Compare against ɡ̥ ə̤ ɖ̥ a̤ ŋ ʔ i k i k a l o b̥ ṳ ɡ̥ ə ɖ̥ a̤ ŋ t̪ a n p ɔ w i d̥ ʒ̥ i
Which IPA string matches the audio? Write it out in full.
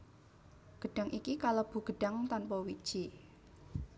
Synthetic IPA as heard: ɡ̥ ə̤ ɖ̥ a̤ ŋ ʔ i k i k a l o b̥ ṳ ɡ̥ ə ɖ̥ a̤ ŋ t̪ a n p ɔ w i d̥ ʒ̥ i